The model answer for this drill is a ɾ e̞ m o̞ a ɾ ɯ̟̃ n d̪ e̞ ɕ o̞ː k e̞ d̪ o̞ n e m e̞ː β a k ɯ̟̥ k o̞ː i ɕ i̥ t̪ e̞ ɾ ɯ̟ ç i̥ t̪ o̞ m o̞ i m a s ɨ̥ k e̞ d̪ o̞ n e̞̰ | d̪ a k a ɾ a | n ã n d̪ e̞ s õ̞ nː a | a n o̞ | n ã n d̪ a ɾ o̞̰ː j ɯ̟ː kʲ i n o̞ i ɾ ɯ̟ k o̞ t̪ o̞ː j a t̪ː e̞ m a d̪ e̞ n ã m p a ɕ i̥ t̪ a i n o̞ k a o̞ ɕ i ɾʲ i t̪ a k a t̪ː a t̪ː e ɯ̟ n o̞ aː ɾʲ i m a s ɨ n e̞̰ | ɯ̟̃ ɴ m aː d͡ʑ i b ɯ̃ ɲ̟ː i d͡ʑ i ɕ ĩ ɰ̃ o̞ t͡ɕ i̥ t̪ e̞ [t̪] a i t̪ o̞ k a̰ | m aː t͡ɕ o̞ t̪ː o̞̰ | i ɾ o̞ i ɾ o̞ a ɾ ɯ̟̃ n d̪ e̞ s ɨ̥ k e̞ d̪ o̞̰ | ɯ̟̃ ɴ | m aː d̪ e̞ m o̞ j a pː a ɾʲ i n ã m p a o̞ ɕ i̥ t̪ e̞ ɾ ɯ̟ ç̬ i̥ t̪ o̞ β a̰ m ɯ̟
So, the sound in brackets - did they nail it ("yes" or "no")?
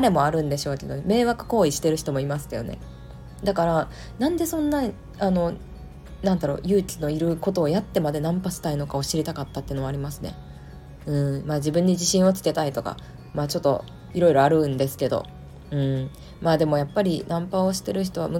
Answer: yes